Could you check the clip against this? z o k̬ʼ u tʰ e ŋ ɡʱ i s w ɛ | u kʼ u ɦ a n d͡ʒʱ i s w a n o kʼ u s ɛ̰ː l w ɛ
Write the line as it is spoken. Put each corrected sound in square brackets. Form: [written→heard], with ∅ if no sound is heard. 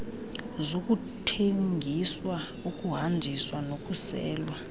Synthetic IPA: z o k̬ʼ u tʰ e ŋ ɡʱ i s w [ɛ→a] | u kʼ u ɦ a n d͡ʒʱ i s w a n o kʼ u s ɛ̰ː l w [ɛ→a]